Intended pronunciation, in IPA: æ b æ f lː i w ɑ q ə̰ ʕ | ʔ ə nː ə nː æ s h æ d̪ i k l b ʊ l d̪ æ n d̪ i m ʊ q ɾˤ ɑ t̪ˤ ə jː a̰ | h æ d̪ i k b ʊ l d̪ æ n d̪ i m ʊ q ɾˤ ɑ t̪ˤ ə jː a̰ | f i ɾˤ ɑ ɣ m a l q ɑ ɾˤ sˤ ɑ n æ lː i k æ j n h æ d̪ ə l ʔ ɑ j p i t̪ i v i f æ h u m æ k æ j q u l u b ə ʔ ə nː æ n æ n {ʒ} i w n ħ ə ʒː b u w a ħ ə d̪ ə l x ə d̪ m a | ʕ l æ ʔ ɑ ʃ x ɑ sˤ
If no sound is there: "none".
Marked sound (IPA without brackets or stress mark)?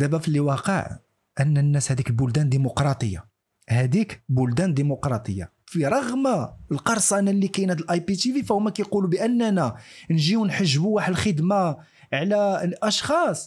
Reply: ʒ